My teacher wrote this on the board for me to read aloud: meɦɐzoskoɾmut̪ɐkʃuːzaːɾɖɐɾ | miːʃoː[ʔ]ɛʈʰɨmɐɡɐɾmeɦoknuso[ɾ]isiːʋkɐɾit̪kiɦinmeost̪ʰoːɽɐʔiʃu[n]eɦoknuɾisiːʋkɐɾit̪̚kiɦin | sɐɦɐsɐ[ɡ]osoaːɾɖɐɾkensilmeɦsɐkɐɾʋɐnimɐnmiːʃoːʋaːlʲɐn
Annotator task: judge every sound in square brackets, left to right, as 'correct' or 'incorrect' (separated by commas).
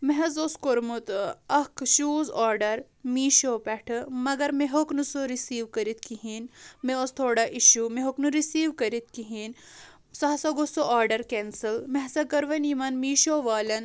incorrect, correct, incorrect, correct